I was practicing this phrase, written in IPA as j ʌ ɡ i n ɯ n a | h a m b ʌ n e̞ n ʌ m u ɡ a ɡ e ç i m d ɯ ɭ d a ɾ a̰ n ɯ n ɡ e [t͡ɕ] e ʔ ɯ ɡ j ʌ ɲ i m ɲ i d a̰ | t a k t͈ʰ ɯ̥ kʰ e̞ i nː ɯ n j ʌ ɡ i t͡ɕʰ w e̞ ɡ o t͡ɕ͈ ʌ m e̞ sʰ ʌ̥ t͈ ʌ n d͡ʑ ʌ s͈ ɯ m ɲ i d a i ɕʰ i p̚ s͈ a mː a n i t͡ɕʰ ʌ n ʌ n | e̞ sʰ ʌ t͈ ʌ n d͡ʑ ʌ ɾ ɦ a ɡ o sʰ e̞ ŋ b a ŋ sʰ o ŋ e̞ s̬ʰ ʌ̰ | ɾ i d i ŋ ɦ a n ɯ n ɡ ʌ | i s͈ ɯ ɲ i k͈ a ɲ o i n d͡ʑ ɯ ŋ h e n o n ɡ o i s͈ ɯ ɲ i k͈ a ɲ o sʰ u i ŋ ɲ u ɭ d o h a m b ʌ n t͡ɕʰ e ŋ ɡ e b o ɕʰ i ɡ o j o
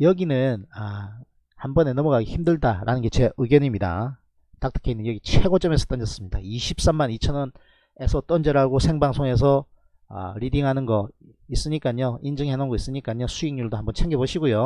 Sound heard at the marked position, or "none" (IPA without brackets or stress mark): t͡ɕʰ